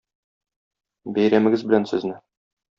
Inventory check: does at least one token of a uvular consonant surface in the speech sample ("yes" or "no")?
no